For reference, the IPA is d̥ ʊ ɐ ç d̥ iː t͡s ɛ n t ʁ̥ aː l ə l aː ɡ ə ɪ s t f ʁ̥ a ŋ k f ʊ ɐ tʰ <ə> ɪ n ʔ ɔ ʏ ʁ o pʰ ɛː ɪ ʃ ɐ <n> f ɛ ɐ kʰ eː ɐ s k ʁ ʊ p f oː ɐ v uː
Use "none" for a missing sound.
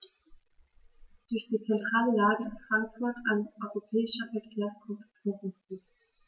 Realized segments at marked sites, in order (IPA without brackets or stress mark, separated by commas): a, none